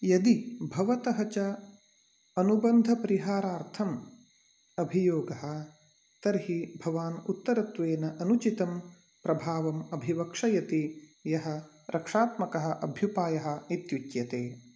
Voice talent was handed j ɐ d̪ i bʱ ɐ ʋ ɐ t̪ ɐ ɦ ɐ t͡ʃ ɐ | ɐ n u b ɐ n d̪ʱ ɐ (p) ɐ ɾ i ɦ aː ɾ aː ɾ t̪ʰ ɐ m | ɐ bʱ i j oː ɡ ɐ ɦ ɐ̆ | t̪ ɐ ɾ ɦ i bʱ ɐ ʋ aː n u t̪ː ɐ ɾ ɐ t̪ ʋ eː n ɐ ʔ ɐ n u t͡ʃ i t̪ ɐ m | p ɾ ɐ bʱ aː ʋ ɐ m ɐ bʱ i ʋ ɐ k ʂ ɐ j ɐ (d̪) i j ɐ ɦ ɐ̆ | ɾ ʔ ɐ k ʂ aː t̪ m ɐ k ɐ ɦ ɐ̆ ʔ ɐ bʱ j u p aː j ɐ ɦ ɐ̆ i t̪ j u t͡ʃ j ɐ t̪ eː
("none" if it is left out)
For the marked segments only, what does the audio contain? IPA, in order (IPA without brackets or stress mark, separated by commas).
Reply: p, t̪